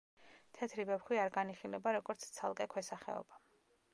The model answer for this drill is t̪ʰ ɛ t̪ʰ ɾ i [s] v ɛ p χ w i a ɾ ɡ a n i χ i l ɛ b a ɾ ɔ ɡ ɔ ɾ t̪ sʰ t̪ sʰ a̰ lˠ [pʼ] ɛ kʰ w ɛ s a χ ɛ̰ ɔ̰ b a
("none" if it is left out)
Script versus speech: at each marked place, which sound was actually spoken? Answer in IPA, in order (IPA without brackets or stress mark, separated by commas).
none, kʼ